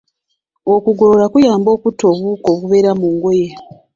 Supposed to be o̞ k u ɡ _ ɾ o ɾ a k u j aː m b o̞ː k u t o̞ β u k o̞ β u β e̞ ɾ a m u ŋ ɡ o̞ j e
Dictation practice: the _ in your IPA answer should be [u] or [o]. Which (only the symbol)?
o